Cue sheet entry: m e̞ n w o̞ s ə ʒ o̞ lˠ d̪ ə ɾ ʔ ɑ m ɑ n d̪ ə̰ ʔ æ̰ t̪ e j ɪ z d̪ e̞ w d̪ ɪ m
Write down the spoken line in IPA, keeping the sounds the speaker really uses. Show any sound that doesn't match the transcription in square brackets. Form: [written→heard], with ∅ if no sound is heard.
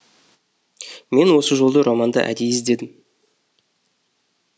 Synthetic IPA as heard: m e̞ n w o̞ s ə ʒ o̞ lˠ d̪ ə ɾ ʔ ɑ m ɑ n d̪ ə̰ ʔ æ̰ [t̪→d̪] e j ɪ z d̪ e̞ [w→∅] d̪ ɪ m